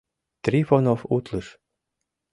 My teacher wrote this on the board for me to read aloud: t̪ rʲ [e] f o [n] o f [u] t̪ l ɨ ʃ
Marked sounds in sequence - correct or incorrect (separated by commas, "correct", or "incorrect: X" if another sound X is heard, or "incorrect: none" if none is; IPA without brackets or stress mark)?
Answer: incorrect: i, correct, correct